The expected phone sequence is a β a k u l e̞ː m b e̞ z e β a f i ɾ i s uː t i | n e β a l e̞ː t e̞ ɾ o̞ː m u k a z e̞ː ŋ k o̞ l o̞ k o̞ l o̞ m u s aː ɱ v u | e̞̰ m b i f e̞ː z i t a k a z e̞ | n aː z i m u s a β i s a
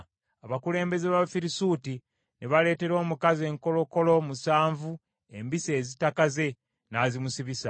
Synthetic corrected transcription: a β a k u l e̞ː m b e̞ z e β a f i ɾ i s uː t i | n e β a l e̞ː t e̞ ɾ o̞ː m u k a z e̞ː ŋ k o̞ l o̞ k o̞ l o̞ m u s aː ɱ v u | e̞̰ m b i s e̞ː z i t a k a z e̞ | n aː z i m u s i β i s a